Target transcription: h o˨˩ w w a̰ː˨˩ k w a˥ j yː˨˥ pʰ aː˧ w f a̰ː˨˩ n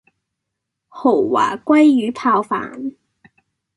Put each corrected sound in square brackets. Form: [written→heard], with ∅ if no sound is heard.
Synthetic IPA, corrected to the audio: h o˨˩ w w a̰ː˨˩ k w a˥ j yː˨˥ pʰ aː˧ w f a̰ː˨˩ n